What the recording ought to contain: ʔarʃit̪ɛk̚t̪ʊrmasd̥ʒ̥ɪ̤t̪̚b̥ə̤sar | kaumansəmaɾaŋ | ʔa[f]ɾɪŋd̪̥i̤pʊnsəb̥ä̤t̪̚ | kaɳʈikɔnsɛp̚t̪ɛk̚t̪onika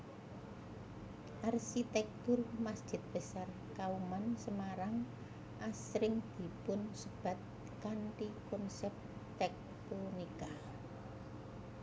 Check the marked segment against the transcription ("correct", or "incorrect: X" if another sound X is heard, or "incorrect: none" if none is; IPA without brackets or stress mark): incorrect: s